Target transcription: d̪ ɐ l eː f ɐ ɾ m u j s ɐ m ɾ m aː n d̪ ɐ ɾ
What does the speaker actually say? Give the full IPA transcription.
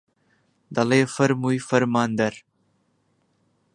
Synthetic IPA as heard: d̪ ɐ l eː f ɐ ɾ m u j f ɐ ɾ m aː n d̪ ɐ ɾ